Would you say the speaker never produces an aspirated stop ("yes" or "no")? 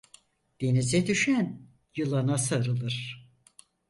yes